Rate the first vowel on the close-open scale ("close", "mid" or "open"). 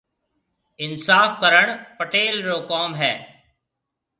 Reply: close